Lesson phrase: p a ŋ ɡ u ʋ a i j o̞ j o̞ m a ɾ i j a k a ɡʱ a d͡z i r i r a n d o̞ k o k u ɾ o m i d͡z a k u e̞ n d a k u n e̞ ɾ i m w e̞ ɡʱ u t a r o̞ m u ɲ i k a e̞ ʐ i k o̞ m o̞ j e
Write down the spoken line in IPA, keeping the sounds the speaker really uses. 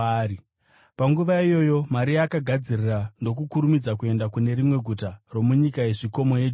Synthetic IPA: p a ŋ ɡ u ʋ a i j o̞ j o̞ m a ɾ i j a k a ɡʱ a d͡z i r i r a n d o̞ k u k u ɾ u m i d͡z a k u e̞ n d a k u n e̞ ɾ i m w e̞ ɡʱ u t a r o̞ m u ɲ i k a e̞ ʐ i k o̞ m o̞ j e